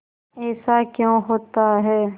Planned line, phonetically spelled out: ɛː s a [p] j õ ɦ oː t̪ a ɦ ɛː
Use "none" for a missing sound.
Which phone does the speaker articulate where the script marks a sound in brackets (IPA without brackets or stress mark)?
k